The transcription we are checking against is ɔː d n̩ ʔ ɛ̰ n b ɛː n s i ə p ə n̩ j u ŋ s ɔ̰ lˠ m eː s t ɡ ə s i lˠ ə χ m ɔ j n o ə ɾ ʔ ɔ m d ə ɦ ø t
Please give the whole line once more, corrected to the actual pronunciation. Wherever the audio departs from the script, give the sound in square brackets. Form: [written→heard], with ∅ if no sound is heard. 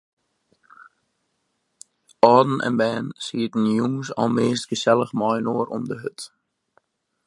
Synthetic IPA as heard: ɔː d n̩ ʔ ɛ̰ n b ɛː n s i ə [p→t] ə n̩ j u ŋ s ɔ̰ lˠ m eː s t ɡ ə s [i→ɛ] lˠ ə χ m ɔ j n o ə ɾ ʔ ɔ m d ə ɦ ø t